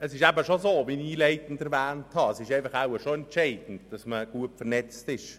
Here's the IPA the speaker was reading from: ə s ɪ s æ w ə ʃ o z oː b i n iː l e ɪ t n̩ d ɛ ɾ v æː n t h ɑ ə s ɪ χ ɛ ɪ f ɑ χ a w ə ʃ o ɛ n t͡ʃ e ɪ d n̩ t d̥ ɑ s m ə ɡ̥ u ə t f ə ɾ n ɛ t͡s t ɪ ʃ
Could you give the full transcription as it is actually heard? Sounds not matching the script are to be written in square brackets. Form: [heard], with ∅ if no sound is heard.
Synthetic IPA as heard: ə s ɪ [ʃ] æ [b] ə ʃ o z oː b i n iː l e ɪ t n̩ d ɛ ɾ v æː n t h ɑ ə s ɪ [ʃ] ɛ ɪ f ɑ χ a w ə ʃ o ɛ n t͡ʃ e ɪ d n̩ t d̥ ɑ s m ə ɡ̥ u ə t f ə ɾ n ɛ t͡s t ɪ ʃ

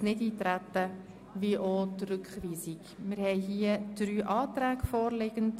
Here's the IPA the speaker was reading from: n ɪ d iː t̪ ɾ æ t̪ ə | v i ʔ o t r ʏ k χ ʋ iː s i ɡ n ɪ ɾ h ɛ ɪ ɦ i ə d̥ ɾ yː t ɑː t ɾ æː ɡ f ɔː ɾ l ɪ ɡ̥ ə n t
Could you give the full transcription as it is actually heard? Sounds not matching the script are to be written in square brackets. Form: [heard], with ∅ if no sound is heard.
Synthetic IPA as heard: n ɪ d iː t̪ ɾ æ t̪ ə | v i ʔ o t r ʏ k χ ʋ iː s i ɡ [m] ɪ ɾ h ɛ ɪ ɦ i ə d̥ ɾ yː [ʔ] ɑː t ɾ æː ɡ f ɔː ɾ l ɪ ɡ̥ ə n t

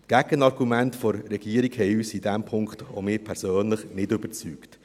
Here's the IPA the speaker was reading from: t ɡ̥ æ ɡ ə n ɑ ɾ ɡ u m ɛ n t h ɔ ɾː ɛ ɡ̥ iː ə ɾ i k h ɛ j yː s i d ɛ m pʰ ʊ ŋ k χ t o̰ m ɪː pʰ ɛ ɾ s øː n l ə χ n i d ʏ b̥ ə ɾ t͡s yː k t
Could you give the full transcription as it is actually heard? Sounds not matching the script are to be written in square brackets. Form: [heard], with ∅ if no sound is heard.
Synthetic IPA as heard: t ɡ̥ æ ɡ ə n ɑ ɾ ɡ u m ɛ n t [f] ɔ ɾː ɛ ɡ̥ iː ə ɾ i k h ɛ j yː s i d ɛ m pʰ ʊ ŋ k χ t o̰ m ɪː pʰ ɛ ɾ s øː n l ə χ n [ɪ] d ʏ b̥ ə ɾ t͡s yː k t

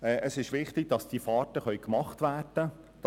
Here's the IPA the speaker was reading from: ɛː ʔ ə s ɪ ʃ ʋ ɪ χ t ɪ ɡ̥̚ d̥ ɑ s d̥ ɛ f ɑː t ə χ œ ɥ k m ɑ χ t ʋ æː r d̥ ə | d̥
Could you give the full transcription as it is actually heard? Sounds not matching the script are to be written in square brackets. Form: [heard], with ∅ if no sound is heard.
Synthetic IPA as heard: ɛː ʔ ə s ɪ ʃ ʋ ɪ χ t ɪ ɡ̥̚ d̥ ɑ s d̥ [i] f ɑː t ə χ œ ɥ k m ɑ χ t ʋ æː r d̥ ə | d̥

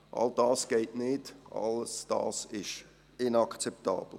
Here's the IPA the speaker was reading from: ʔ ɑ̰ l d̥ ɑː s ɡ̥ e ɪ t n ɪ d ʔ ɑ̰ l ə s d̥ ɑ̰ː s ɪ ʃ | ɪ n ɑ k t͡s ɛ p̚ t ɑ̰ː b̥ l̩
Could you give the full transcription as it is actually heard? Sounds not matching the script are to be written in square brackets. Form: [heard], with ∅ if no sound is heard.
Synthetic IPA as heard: ʔ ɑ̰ l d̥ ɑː s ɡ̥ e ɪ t n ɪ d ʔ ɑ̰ l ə s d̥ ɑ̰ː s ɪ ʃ | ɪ n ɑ k t͡s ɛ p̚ t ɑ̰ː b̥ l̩

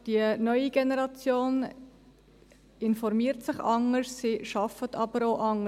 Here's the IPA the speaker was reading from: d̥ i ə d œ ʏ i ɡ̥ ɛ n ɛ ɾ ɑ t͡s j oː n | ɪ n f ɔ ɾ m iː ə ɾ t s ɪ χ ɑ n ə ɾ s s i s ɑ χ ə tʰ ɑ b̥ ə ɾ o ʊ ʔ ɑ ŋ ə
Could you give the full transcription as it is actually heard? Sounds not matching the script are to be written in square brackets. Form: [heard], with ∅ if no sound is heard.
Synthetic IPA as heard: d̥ i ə [n] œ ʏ i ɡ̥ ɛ n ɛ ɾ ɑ t͡s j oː n | ɪ n f ɔ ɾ m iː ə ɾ t s ɪ χ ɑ [ŋ] ə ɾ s s i [ʃ] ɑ [f] ə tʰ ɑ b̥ ə ɾ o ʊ ʔ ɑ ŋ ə

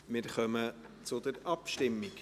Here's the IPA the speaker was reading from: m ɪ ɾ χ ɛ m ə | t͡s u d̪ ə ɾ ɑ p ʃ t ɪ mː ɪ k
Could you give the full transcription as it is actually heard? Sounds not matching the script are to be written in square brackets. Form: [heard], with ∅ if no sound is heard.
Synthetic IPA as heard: m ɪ ɾ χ [œ] m ə | t͡s [ʊ] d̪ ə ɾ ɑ p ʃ t ɪ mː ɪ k

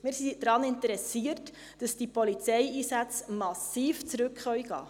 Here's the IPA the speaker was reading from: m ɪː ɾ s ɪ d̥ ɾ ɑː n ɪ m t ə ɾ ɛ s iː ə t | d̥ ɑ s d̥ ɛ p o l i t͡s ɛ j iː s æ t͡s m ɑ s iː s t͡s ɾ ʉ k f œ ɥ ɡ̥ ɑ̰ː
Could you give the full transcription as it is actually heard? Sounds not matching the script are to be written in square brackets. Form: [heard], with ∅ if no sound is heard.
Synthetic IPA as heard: m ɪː ɾ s [i] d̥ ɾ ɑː n ɪ [n] t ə ɾ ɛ s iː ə t | d̥ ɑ s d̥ [i] p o l i t͡s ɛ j iː s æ t͡s m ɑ s iː [f] t͡s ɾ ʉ k [χ] œ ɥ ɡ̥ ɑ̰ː

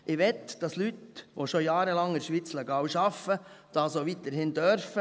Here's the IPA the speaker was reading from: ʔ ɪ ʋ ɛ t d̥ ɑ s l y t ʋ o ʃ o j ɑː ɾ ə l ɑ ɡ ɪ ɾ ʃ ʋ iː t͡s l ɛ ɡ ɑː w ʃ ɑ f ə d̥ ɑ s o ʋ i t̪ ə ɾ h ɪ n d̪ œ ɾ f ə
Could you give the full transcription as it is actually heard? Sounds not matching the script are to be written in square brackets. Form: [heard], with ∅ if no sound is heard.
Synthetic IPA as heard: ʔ ɪ ʋ ɛ t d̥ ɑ s l y t ʋ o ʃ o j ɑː ɾ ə l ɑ [ŋ] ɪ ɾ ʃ ʋ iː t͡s l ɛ ɡ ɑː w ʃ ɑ f ə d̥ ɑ s o ʋ i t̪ ə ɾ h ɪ n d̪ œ ɾ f ə

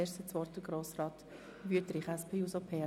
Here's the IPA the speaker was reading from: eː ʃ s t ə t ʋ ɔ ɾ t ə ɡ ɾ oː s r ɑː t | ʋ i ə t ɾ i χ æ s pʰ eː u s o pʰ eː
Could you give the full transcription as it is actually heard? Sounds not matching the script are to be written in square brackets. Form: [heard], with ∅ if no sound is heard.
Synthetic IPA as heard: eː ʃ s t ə [t͡s] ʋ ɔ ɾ t ə ɡ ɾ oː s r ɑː t | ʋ [y] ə t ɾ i χ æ s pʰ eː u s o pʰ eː

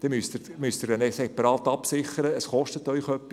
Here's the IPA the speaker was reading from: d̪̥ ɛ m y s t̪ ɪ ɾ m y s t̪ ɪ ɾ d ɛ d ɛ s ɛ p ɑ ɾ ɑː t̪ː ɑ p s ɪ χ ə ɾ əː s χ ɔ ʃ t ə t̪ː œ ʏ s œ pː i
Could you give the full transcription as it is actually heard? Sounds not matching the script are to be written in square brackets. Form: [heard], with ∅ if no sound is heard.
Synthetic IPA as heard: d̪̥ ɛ m y s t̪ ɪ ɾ m y s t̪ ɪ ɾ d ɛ [n] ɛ s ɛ p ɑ ɾ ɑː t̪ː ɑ p s ɪ χ ə ɾ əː s χ ɔ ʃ t ə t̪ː œ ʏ [χ] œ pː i

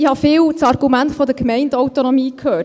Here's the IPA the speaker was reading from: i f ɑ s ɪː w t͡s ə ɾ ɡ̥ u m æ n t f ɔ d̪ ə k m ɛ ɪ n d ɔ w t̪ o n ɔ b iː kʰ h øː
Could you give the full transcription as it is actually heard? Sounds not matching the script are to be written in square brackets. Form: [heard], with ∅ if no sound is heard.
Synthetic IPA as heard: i [h] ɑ [f] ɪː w t͡s [ɑ] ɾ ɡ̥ u m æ n t f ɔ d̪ ə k m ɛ ɪ n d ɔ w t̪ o n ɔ [m] iː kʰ h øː

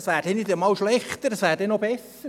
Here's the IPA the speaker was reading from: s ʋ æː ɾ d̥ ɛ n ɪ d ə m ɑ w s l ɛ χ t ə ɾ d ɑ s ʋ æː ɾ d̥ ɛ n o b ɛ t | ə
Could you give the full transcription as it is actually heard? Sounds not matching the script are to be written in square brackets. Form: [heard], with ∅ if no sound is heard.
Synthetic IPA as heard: s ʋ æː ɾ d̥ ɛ n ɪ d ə m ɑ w [ʃ] l ɛ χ t ə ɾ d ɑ s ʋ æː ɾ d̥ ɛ n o b ɛ [s] | ə

